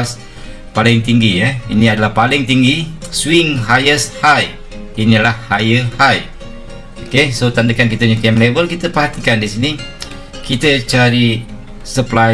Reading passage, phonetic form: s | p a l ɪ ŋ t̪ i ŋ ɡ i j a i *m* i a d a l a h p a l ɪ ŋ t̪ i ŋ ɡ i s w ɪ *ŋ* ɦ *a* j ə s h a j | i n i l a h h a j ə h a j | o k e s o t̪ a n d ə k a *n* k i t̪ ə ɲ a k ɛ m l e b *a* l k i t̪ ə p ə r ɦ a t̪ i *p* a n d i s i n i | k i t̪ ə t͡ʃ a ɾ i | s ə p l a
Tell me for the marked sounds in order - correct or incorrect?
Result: incorrect: n, correct, correct, correct, incorrect: ə, incorrect: k

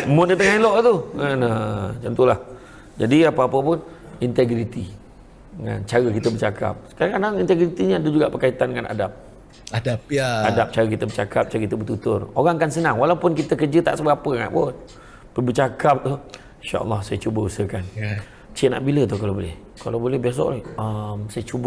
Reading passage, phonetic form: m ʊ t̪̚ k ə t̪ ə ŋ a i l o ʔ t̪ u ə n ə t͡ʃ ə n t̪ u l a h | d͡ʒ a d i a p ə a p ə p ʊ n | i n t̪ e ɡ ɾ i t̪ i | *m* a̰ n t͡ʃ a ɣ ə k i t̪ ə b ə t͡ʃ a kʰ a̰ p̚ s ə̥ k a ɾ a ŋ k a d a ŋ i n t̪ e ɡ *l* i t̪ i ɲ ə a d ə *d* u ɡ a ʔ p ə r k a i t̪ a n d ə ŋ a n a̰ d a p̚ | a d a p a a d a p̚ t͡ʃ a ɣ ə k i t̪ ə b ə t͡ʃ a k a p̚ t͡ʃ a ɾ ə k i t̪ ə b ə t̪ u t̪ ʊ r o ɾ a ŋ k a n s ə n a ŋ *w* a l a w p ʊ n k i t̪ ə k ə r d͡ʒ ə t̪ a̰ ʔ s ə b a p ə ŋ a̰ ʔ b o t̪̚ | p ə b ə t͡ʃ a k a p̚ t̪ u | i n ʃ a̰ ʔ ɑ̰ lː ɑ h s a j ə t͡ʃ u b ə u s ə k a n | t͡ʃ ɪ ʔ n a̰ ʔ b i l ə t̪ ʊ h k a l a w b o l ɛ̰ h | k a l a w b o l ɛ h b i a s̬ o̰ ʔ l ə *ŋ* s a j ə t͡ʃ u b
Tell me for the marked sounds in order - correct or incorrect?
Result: incorrect: ŋ, incorrect: ɾ, incorrect: d͡ʒ, correct, incorrect: m

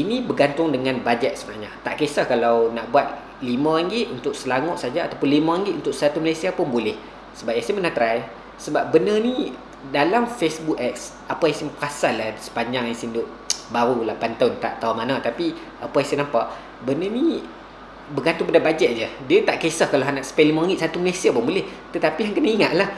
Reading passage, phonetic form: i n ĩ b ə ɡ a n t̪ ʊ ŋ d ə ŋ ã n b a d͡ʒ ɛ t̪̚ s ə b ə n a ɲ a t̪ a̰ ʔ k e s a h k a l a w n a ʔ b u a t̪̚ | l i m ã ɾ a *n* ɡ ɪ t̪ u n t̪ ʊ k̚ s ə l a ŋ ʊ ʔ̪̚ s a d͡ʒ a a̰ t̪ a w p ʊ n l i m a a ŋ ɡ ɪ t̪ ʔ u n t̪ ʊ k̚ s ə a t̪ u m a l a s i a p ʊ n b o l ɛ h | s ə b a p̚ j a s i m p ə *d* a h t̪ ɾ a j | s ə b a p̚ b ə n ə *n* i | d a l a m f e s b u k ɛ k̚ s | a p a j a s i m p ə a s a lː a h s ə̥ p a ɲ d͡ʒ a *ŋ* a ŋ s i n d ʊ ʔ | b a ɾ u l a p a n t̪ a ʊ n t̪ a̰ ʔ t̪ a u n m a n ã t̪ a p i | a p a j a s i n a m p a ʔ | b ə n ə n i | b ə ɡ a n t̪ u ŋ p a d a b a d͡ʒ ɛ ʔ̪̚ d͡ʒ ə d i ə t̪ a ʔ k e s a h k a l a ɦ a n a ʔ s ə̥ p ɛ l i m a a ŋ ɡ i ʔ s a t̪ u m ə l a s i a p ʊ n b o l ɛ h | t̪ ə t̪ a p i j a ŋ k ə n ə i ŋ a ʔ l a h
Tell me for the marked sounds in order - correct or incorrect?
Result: incorrect: ŋ, incorrect: n, correct, correct

